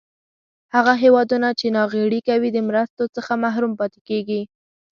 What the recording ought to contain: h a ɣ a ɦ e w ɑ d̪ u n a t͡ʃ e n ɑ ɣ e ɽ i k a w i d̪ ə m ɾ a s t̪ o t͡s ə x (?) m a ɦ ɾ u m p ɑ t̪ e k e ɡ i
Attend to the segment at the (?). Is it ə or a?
a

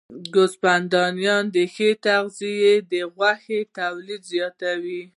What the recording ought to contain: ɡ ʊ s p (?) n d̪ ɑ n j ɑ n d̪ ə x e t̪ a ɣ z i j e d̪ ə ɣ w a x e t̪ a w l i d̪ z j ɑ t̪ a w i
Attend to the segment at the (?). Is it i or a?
a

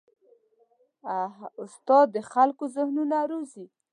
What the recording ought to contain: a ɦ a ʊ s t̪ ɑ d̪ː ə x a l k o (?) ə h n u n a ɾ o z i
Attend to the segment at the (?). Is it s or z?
z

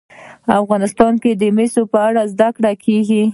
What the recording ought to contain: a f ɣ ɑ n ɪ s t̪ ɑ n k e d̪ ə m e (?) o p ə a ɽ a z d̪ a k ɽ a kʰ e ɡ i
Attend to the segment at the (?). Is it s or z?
s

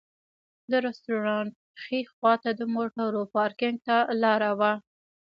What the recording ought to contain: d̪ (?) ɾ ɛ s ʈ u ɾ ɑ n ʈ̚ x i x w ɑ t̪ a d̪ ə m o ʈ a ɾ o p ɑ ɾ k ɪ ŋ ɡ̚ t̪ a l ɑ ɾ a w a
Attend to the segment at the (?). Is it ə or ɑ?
ə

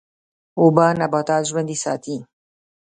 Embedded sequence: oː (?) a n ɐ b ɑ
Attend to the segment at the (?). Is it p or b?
b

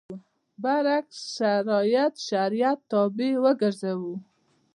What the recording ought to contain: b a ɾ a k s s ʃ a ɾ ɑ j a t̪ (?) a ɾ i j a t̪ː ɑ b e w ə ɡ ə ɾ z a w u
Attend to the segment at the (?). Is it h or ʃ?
ʃ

